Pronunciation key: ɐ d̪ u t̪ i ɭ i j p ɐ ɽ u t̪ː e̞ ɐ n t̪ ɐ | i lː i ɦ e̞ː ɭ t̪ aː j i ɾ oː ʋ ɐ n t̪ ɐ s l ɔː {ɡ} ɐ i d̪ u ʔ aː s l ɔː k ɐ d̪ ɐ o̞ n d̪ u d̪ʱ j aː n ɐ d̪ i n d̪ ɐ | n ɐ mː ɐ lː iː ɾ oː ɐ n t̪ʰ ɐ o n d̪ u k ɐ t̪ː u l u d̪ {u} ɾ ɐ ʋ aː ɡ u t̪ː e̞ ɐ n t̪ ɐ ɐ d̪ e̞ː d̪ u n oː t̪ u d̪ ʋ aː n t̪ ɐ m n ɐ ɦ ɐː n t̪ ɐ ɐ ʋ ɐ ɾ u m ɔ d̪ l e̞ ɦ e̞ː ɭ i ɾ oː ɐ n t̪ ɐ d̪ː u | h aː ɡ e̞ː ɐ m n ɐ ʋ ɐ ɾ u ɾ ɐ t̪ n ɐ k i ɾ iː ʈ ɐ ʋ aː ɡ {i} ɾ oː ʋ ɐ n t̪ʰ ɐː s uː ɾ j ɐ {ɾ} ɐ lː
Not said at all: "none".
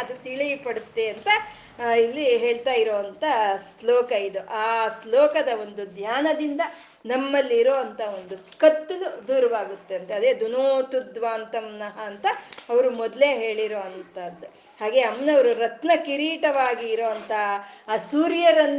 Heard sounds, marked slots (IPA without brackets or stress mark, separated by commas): k, uː, iː, ɾ